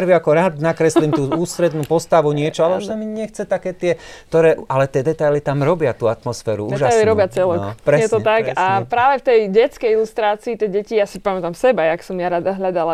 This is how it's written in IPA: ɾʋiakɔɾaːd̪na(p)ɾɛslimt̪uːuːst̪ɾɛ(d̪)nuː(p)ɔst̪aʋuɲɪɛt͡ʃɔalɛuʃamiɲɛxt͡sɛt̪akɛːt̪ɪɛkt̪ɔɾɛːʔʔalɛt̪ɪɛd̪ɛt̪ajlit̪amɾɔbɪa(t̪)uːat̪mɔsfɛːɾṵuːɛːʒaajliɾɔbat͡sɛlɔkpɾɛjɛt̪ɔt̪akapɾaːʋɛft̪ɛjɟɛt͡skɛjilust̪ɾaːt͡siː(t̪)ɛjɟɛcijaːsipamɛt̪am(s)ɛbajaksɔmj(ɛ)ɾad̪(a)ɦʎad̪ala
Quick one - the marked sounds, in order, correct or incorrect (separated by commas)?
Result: incorrect, correct, correct, correct, correct, correct, incorrect, correct